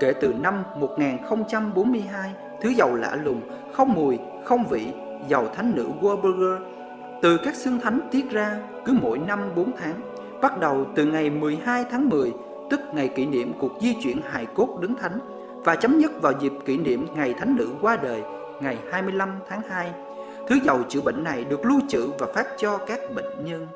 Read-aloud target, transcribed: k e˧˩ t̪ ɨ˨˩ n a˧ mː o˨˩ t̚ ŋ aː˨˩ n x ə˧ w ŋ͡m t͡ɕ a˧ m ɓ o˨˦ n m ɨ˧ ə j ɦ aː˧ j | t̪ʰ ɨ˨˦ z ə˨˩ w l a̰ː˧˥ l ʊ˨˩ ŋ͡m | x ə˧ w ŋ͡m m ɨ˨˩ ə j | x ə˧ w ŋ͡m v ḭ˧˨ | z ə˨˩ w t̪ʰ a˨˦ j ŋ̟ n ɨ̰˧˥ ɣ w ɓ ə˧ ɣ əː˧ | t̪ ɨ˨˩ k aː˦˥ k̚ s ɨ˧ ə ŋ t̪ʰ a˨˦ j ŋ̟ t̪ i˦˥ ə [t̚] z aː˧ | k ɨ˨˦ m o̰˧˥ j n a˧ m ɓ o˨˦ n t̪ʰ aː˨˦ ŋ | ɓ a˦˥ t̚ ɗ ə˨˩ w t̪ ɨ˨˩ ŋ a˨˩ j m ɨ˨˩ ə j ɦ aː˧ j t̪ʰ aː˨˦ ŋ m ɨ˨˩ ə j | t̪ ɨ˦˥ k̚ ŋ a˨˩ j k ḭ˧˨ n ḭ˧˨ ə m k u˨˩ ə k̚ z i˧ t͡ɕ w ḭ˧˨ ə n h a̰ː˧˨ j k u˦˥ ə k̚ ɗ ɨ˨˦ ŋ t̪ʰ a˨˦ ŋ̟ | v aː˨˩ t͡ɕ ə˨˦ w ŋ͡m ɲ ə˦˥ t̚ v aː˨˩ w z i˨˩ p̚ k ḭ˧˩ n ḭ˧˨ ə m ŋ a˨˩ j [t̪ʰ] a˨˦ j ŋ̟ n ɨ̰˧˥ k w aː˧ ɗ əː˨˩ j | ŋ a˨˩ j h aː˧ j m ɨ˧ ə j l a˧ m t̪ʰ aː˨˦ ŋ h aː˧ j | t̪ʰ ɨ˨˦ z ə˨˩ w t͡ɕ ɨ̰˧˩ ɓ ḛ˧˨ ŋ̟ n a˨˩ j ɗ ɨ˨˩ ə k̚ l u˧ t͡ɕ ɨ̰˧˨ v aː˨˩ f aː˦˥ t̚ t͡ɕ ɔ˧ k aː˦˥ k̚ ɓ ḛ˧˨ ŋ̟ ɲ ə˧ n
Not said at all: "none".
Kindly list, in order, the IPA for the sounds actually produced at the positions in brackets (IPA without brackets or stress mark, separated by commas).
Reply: t̚, t̪ʰ